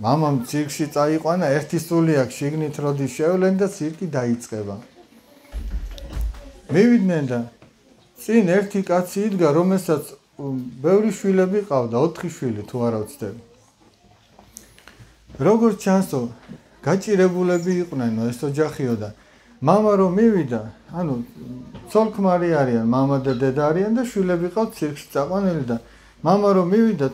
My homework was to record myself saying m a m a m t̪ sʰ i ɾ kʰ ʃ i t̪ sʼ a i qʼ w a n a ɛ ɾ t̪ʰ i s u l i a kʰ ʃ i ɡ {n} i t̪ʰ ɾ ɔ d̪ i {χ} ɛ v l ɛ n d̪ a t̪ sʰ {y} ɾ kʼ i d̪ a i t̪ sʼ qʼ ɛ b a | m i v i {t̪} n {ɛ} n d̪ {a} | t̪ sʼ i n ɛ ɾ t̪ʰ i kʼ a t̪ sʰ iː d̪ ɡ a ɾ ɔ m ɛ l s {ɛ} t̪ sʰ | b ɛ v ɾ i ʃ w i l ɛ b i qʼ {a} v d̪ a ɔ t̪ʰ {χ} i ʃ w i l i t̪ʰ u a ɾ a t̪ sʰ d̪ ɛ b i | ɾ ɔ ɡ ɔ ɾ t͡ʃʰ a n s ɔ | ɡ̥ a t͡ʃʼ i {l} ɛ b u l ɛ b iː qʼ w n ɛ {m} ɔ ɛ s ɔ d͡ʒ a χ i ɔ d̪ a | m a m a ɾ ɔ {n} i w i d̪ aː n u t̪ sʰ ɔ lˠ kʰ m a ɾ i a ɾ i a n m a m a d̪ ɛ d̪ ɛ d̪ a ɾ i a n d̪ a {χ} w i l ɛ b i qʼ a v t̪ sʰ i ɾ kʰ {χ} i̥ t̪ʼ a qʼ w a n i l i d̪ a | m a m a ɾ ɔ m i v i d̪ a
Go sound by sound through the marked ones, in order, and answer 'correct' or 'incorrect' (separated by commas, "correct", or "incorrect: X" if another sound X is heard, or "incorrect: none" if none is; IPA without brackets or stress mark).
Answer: correct, incorrect: ʃ, incorrect: i, incorrect: d̪, correct, correct, incorrect: a, correct, correct, incorrect: ɾ, incorrect: n, incorrect: m, incorrect: ʃ, incorrect: ʃ